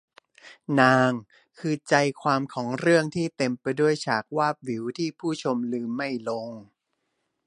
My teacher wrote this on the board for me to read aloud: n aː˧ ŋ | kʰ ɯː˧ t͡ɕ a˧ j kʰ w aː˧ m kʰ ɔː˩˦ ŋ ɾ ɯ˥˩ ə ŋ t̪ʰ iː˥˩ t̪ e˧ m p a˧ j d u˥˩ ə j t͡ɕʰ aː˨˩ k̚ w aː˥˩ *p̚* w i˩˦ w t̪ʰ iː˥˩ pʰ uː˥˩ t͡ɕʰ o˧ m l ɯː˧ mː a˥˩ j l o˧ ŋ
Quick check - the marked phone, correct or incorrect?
correct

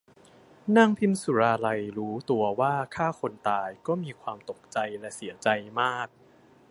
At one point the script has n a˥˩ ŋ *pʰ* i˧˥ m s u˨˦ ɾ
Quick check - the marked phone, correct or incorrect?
correct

